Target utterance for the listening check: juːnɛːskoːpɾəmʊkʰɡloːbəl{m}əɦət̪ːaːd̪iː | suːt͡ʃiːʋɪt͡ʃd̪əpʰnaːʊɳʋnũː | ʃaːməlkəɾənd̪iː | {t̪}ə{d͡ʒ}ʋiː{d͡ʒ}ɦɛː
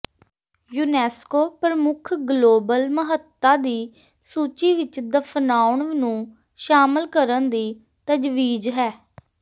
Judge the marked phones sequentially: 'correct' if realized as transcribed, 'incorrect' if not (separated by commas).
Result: correct, correct, correct, correct